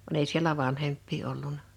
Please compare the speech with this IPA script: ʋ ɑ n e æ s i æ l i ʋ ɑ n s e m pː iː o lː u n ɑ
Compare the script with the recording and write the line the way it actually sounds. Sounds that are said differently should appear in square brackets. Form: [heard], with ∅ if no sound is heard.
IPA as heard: ʋ ɑ n e [i] s i [e] l [æ] ʋ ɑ n [h] e m pː iː o lː u n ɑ